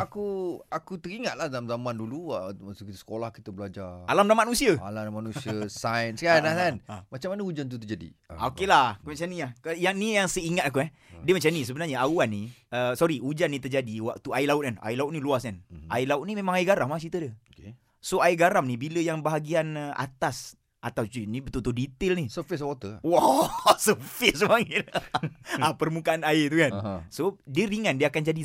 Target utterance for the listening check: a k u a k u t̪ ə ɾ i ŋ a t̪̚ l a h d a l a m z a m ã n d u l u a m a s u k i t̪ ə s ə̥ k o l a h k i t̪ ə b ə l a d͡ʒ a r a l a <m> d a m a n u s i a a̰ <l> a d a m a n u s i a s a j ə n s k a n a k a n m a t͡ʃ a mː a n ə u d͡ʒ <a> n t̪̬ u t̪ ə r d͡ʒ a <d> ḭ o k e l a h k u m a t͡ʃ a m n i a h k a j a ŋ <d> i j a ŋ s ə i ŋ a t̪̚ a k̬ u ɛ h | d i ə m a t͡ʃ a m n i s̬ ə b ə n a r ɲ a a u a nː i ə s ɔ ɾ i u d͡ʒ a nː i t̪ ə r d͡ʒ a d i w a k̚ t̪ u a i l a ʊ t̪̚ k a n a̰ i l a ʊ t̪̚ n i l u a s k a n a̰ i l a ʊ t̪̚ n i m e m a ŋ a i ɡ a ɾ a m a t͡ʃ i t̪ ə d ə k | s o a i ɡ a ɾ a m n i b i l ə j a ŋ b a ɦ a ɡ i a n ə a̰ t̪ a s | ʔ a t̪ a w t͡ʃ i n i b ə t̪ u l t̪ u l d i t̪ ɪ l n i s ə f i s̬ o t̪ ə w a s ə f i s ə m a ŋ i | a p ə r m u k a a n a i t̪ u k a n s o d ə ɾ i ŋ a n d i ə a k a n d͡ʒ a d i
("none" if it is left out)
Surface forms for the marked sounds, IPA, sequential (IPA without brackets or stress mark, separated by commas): m, l, a, d, n